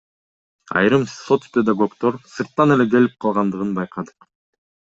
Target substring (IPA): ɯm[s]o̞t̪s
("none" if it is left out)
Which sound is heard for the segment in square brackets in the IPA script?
s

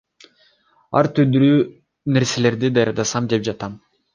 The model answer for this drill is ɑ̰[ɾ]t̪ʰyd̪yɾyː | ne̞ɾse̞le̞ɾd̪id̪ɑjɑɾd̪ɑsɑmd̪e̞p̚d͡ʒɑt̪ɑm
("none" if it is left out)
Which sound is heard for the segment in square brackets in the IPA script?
ɾ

